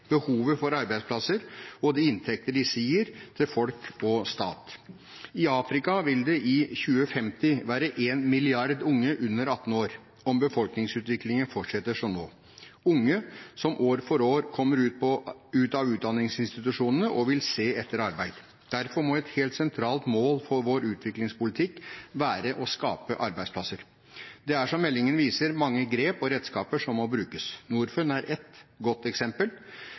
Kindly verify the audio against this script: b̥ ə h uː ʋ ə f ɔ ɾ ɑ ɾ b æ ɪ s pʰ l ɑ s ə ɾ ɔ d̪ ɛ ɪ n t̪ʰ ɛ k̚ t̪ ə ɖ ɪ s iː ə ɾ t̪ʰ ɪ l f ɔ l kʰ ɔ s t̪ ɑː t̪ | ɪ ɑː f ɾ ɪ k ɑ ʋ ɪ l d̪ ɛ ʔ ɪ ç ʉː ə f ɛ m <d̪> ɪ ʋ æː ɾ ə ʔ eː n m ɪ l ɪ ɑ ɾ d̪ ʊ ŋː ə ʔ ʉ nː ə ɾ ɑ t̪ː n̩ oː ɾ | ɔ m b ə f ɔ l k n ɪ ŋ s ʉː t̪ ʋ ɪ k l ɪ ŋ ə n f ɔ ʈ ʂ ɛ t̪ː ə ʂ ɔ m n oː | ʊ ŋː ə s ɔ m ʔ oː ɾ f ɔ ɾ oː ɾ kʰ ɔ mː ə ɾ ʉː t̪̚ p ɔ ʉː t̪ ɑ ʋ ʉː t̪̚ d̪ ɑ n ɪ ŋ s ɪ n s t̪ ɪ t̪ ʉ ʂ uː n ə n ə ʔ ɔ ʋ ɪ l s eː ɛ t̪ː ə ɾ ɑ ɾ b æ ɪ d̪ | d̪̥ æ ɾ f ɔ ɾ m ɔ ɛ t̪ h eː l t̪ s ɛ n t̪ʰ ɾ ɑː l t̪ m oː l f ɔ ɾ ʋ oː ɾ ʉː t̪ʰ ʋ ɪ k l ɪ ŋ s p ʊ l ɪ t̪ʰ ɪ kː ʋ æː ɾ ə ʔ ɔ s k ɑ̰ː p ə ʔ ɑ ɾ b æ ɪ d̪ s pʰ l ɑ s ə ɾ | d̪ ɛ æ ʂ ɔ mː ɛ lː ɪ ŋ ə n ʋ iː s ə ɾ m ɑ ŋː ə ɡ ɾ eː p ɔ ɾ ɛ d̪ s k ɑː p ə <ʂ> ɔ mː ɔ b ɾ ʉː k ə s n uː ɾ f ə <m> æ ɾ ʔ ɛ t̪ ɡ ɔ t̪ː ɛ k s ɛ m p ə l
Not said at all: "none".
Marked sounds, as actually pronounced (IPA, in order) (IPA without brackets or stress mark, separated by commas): t̪, ʂ, n